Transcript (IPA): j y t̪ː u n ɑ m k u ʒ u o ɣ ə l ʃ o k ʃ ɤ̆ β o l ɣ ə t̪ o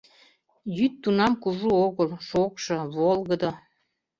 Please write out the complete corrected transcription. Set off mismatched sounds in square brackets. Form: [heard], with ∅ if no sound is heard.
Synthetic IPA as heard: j y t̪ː u n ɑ m k u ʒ u o ɣ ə l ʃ o k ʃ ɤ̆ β o l ɣ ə [d̪] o